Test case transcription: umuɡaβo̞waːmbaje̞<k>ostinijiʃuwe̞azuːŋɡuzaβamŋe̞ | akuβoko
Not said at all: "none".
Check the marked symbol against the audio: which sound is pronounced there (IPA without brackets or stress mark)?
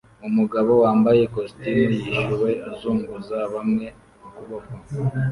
k